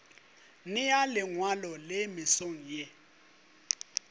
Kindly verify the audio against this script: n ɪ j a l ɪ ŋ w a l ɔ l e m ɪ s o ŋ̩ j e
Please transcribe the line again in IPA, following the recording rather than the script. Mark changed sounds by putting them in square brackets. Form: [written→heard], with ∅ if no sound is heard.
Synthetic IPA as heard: n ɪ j a l ɪ ŋ w a l ɔ l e m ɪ s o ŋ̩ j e